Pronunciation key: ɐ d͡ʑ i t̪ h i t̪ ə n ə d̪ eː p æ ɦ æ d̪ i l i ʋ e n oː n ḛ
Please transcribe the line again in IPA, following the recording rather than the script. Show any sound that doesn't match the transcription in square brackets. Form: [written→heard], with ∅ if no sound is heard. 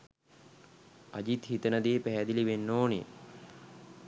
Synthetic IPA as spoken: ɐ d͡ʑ i t̪ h i t̪ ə n ə d̪ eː p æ ɦ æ d̪ i l i ʋ e [n→nː] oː n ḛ